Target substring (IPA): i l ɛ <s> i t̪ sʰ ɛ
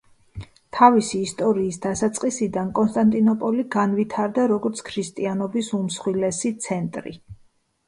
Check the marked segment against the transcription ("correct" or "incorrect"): correct